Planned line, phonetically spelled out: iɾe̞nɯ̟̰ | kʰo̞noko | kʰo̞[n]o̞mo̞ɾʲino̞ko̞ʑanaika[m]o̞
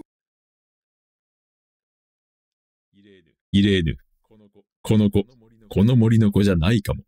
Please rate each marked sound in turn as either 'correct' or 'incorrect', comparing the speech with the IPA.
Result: correct, correct

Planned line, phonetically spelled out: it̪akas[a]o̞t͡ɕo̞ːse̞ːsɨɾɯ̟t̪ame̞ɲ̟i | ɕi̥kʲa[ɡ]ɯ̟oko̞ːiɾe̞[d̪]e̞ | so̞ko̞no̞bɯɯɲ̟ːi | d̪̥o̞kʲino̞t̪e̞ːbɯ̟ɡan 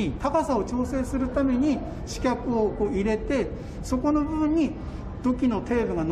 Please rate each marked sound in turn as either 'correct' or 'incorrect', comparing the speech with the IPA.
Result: correct, incorrect: k, incorrect: t̪

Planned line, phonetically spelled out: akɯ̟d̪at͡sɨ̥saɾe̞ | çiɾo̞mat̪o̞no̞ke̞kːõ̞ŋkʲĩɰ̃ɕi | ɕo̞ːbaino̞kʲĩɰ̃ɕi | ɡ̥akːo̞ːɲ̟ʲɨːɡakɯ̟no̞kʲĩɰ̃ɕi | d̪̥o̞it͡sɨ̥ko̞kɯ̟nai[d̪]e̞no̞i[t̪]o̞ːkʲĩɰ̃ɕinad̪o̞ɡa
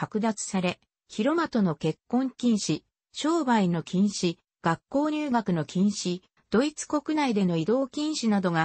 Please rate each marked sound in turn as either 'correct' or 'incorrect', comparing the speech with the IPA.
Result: correct, incorrect: d̪

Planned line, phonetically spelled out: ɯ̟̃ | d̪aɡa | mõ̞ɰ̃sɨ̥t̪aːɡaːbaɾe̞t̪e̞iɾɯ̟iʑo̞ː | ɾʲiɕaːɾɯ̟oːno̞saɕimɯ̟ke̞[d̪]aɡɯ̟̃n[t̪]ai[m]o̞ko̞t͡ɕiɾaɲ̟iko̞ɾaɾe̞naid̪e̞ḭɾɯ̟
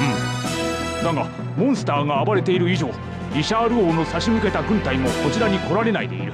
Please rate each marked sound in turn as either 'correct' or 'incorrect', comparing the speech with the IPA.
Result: incorrect: t̪, correct, correct

